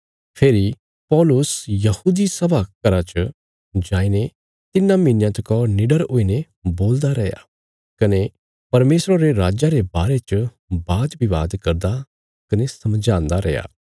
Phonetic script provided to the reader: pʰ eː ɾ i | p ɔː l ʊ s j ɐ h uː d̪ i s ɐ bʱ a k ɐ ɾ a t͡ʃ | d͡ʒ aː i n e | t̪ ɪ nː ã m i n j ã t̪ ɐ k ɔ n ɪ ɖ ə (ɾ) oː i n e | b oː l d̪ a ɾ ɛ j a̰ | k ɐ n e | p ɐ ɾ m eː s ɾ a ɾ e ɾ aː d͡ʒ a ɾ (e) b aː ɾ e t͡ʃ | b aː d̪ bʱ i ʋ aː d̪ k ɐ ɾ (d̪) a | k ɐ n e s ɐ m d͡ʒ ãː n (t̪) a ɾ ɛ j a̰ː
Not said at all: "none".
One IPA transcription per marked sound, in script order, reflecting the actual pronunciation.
ɾ, e, d̪, d̪

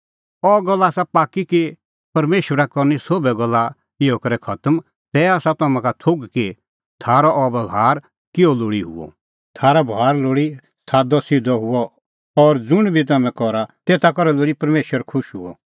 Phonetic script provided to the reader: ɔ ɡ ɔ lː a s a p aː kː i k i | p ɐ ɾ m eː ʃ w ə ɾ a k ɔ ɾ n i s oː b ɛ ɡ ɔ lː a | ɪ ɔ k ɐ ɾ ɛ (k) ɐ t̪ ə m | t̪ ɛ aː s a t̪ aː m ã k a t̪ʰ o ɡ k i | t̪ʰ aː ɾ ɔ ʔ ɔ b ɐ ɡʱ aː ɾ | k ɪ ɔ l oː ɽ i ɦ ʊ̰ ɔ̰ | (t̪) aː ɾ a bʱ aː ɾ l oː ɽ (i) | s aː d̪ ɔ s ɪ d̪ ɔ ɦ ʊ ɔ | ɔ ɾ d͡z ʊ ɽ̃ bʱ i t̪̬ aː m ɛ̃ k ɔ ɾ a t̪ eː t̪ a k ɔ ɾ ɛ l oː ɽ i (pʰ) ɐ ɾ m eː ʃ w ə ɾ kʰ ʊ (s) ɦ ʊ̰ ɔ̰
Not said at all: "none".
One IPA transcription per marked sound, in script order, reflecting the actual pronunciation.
kʰ, t̪ʰ, i, p, ʃ

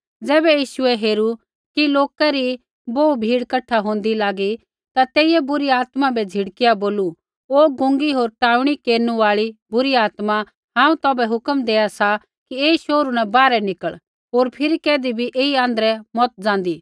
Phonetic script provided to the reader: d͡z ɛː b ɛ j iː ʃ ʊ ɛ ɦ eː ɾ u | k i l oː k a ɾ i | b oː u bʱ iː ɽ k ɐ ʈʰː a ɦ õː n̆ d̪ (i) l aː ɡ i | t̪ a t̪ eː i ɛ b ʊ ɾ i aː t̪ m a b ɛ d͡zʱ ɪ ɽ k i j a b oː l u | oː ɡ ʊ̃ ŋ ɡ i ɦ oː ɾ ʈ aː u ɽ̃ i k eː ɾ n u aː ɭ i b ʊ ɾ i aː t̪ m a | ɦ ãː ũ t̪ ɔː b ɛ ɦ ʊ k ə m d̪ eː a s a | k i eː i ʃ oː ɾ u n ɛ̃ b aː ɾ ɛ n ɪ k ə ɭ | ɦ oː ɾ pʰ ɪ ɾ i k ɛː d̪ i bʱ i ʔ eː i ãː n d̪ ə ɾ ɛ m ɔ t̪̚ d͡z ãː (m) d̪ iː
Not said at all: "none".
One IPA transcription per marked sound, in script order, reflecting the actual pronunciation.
i, n

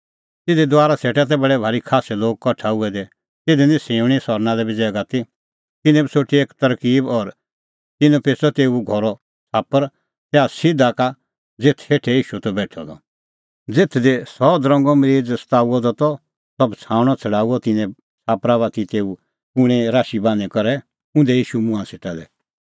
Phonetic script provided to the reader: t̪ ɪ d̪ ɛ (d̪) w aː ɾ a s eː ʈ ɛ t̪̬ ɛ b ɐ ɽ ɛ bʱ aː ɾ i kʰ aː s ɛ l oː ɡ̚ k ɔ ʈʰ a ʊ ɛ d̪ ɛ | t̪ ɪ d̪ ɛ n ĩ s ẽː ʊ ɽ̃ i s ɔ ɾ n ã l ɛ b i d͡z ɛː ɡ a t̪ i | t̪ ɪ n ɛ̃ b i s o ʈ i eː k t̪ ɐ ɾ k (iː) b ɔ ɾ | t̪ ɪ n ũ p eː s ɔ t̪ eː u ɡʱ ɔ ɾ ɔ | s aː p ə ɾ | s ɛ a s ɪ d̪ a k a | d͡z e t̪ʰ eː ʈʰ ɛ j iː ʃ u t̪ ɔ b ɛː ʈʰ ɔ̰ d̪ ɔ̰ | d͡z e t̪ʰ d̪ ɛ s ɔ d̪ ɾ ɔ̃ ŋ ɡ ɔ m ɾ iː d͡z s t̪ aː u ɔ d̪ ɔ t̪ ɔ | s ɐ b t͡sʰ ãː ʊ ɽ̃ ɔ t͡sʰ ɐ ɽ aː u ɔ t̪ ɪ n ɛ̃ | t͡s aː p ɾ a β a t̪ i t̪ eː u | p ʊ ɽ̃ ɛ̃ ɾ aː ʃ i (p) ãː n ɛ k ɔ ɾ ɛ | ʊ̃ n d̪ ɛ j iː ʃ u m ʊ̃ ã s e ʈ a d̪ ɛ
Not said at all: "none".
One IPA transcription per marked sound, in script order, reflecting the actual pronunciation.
d̪, iː, b

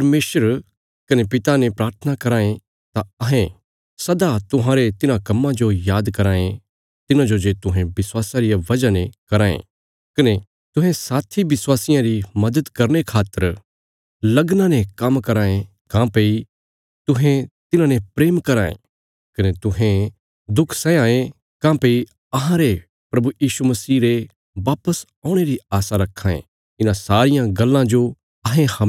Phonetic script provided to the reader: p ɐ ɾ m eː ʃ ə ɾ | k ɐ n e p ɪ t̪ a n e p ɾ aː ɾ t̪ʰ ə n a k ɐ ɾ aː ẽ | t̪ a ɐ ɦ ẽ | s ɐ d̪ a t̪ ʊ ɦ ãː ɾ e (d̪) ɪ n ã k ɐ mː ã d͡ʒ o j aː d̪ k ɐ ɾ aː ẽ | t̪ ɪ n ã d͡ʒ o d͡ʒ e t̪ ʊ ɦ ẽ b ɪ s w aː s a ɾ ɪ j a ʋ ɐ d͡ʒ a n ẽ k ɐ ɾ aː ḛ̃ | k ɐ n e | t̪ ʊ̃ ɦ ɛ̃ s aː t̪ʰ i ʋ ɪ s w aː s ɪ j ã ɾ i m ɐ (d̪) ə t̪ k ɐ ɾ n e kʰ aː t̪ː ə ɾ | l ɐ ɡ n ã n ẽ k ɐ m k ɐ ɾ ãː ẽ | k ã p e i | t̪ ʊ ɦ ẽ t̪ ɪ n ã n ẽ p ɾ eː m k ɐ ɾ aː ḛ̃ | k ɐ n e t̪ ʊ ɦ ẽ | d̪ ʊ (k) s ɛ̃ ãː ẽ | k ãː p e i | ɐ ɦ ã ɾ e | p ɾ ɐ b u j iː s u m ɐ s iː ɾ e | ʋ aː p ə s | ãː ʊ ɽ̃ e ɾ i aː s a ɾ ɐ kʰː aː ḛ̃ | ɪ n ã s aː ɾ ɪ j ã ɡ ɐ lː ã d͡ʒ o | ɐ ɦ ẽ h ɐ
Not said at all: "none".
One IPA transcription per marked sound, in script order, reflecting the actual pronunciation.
t̪, d̪, kʰ

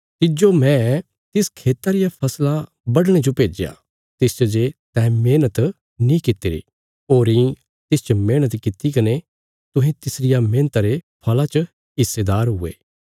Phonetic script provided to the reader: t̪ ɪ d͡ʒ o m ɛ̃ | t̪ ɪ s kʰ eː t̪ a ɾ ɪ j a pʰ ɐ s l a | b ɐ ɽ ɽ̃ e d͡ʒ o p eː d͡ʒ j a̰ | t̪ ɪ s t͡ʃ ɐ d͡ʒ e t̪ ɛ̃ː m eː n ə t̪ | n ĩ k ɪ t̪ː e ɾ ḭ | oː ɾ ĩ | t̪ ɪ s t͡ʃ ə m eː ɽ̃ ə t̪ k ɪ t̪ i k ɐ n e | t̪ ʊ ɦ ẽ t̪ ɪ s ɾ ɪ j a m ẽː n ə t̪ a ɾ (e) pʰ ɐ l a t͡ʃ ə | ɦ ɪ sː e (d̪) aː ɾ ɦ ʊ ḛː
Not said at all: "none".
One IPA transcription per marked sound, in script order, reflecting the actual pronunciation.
e, d̪

